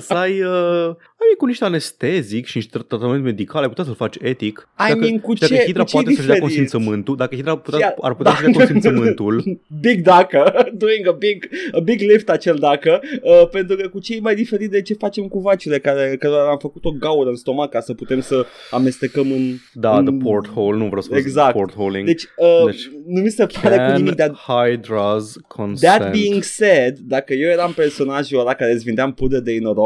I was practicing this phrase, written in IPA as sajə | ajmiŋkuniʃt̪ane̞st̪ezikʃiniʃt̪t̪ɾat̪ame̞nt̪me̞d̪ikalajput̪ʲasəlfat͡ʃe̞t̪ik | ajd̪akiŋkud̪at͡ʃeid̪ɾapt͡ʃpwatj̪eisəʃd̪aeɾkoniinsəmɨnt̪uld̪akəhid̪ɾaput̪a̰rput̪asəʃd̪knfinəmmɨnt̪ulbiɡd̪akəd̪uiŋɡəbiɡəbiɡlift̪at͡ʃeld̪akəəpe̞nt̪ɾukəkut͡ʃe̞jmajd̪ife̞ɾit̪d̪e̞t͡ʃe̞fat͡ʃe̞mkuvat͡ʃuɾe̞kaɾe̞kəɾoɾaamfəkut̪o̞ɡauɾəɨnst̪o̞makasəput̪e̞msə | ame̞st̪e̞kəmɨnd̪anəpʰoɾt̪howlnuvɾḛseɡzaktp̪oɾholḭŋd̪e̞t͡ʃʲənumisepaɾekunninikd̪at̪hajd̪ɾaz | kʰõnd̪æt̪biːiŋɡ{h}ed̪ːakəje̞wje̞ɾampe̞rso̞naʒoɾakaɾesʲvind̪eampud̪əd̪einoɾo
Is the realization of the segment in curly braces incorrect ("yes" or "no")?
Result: yes